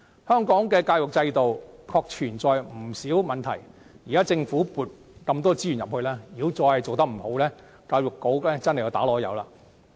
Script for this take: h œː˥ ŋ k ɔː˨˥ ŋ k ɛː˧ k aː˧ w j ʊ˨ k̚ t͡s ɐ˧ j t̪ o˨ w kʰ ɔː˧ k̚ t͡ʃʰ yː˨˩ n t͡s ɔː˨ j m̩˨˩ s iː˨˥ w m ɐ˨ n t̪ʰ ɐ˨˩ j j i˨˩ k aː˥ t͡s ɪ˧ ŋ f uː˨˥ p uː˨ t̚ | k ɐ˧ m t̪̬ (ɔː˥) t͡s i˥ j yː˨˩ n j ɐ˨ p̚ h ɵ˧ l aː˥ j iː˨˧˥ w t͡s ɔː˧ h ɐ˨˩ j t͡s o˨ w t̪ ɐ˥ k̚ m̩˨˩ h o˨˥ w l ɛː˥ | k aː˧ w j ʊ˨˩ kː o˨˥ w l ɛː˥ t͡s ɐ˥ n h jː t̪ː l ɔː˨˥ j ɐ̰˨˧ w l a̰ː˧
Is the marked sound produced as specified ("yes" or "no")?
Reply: yes